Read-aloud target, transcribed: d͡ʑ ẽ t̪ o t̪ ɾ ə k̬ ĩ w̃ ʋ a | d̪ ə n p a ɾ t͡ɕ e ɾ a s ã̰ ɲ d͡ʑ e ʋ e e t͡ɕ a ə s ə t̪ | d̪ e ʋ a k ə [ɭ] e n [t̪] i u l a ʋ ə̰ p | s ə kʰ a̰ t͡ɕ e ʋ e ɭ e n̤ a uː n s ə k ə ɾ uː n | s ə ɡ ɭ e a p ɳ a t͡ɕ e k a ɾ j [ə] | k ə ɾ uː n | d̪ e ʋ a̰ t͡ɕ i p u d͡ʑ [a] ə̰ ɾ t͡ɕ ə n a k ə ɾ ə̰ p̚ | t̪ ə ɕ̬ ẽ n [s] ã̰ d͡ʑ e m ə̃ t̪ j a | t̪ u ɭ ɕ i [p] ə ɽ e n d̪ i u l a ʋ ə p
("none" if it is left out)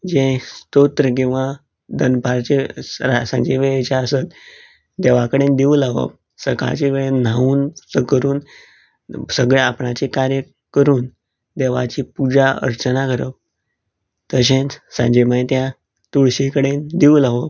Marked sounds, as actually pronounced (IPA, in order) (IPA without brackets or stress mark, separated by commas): ɽ, d̪, ə, a, s, k